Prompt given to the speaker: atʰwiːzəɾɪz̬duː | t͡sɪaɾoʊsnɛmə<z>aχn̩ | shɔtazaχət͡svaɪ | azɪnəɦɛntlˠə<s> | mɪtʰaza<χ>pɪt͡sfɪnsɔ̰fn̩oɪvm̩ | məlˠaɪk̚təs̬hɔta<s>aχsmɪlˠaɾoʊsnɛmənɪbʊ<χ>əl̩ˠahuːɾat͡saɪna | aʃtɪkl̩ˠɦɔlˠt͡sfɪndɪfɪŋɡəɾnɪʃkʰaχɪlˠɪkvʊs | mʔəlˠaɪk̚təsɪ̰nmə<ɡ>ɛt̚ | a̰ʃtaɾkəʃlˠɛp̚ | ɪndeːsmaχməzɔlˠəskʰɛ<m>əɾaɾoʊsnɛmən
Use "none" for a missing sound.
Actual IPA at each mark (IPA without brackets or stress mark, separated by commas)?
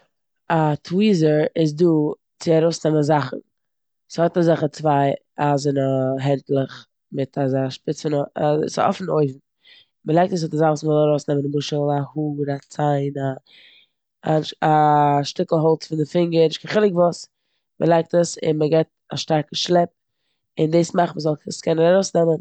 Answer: z, χ, ʃ, z, ʃ, ɡ, n